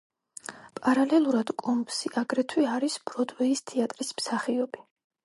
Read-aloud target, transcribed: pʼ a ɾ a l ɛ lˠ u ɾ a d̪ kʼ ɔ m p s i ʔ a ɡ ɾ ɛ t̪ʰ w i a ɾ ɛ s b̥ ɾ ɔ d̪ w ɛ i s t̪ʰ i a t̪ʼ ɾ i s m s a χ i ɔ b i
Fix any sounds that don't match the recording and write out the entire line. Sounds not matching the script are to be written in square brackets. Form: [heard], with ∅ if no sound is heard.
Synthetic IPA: pʼ a ɾ a l ɛ lˠ u ɾ a d̪ kʼ ɔ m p s i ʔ a ɡ ɾ ɛ t̪ʰ w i a ɾ [i] s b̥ ɾ ɔ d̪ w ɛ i s t̪ʰ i a t̪ʼ ɾ i s m s a χ i ɔ b i